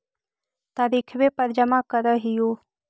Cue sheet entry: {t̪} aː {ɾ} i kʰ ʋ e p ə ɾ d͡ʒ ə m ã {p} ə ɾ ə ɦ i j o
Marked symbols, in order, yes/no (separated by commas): yes, yes, no